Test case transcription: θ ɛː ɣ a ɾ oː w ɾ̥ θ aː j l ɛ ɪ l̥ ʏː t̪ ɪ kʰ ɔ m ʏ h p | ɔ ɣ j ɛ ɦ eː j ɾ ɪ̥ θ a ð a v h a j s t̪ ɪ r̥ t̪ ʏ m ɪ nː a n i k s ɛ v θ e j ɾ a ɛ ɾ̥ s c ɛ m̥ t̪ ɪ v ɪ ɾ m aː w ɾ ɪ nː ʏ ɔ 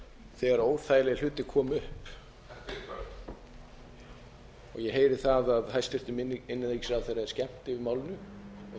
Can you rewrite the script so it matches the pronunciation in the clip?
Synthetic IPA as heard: θ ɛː ɣ a ɾ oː w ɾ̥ θ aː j l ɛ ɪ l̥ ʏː t̪ ɪ kʰ ɔː m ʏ h p | ɔ ɣ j ɛ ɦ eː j ɾ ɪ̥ θ a ð a ð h a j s t̪ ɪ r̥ t̪ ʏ m ɪ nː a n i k s a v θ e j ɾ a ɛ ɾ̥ s c ɛ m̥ t̪ ɪ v ɪ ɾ m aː w l ɪ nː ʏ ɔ